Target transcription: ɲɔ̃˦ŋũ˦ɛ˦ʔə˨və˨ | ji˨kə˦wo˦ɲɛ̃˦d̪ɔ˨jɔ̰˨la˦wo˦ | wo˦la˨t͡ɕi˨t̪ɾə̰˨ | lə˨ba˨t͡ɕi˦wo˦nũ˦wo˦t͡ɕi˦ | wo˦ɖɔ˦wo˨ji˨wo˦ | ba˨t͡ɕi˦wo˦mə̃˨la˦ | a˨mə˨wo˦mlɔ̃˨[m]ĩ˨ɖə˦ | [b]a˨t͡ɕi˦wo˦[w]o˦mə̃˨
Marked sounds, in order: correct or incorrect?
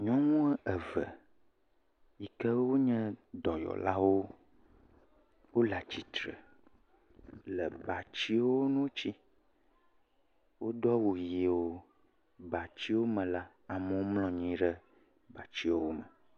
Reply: incorrect, correct, correct

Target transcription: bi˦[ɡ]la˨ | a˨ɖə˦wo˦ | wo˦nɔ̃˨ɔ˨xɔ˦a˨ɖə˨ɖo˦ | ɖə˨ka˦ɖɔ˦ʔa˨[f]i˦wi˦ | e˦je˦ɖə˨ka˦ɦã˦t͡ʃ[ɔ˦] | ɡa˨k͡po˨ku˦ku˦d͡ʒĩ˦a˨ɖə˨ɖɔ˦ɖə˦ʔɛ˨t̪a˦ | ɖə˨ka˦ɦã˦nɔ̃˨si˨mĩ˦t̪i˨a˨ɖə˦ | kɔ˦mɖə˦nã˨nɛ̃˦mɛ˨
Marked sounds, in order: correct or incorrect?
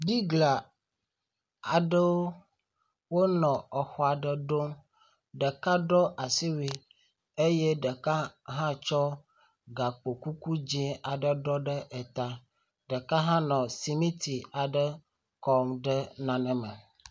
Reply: correct, incorrect, correct

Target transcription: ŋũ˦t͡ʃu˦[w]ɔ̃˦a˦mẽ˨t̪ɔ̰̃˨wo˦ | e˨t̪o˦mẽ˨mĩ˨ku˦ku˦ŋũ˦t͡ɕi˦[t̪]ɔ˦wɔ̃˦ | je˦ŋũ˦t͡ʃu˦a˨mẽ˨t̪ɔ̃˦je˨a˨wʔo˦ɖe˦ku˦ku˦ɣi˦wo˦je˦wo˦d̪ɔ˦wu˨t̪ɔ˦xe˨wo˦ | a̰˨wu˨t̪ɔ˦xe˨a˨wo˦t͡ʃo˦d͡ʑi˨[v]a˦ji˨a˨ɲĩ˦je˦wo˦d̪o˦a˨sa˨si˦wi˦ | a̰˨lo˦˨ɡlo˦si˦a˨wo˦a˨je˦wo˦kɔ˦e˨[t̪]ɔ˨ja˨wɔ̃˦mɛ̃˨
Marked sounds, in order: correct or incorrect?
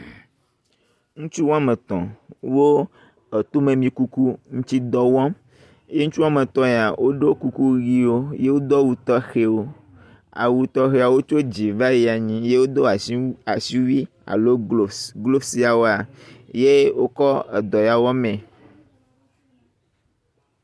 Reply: correct, incorrect, correct, incorrect

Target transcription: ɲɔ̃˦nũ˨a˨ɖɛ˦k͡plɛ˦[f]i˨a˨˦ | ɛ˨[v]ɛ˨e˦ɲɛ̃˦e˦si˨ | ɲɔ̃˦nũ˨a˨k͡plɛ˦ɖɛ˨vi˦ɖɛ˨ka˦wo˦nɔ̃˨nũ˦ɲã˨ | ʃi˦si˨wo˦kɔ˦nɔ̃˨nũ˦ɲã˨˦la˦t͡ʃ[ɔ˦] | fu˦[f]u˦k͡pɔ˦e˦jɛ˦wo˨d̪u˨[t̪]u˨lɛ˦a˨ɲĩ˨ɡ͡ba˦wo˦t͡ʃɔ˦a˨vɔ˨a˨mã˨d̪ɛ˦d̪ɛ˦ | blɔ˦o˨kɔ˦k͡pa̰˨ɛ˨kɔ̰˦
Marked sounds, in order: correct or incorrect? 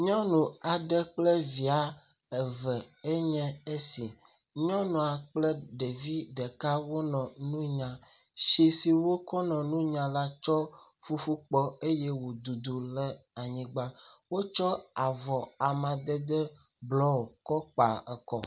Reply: incorrect, correct, correct, correct, incorrect

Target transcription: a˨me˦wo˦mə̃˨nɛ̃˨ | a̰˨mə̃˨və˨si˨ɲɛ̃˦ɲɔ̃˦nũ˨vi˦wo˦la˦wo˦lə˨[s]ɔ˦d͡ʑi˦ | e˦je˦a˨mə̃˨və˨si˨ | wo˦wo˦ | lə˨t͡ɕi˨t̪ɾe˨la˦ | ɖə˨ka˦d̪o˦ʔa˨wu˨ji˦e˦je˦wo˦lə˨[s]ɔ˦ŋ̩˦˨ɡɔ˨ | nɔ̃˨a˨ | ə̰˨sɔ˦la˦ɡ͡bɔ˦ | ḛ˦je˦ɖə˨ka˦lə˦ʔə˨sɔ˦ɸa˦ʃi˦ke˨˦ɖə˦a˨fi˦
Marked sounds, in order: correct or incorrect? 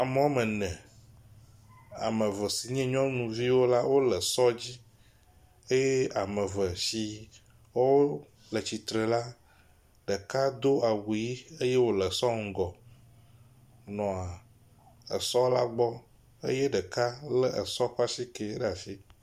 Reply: correct, correct

